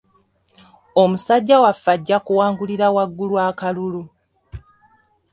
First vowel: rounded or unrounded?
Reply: rounded